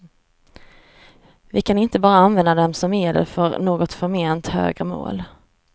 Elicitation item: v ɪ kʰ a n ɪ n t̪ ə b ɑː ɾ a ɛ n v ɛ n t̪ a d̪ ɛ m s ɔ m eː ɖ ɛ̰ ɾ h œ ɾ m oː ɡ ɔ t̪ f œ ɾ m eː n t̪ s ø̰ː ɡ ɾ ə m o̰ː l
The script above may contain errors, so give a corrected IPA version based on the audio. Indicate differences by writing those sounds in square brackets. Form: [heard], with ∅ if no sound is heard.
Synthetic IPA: v ɪ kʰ a n ɪ n t̪ ə b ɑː ɾ a [a] n v ɛ n [d̪] a d̪ ɛ m s ɔ m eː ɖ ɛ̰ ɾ [f] œ ɾ [n] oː ɡ ɔ t̪ f œ ɾ m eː n t̪ [h] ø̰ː ɡ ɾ ə m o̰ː l